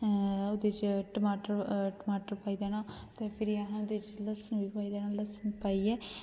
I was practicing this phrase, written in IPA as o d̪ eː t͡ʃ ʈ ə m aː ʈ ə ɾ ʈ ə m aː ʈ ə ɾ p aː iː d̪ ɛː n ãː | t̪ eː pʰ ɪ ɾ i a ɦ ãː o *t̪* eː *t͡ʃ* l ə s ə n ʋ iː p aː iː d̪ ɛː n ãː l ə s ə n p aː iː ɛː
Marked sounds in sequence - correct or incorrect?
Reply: incorrect, correct

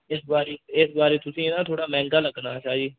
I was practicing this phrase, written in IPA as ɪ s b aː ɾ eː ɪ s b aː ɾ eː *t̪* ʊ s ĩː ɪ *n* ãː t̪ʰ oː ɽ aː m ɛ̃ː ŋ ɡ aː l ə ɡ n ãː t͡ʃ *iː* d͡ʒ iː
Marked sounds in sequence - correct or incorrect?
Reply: correct, correct, incorrect

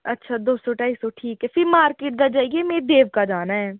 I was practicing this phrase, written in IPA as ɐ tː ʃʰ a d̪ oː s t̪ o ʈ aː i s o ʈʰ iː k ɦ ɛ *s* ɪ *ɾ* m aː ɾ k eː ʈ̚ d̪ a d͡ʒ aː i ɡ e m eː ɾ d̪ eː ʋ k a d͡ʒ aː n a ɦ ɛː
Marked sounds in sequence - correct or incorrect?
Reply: incorrect, correct

